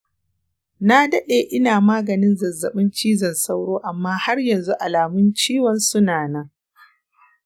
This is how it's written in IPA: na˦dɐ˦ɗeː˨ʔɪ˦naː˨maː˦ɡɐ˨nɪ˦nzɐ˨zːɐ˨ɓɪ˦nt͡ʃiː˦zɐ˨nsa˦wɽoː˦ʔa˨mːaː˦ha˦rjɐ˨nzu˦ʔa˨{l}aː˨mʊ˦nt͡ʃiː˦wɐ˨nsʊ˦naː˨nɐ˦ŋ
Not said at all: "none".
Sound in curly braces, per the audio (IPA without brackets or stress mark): l